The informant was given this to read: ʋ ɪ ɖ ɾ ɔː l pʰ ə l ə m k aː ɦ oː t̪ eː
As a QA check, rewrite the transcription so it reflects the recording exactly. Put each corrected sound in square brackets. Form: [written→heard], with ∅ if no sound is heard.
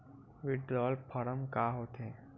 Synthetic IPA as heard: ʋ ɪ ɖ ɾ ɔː l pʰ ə [l→ɾ] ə m k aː ɦ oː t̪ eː